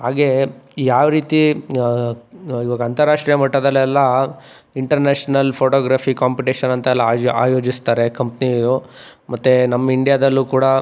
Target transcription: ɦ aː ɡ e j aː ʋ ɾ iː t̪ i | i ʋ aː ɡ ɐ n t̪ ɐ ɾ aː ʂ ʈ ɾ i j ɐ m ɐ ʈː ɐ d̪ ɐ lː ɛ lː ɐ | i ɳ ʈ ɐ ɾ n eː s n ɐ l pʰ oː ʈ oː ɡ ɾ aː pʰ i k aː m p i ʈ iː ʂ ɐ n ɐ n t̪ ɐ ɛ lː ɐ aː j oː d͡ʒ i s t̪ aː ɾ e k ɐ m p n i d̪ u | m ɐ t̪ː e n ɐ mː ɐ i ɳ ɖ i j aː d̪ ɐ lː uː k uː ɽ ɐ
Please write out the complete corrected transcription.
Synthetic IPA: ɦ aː ɡ e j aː ʋ ɾ iː t̪ i | i ʋ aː ɡ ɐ n t̪ ɐ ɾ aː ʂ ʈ ɾ i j ɐ m ɐ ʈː ɐ d̪ ɐ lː ɛ lː ɐ | i ɳ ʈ ɐ ɾ n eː ʂ n ɐ l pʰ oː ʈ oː ɡ ɾ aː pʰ i k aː m p i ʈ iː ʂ ɐ n ɐ n t̪ ɐ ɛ lː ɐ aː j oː d͡ʒ i s t̪ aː ɾ e k ɐ m p n i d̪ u | m ɐ t̪ː e n ɐ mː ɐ i ɳ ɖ i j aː d̪ ɐ lː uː k uː ɽ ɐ